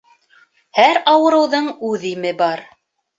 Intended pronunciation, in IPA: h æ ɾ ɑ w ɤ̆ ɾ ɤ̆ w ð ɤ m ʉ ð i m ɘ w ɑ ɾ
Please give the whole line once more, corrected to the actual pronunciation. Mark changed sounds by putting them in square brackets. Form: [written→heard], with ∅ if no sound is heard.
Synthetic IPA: h æ ɾ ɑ w ɤ̆ ɾ ɤ̆ w ð ɤ [m→ɴ] ʉ ð i m ɘ [w→b] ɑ ɾ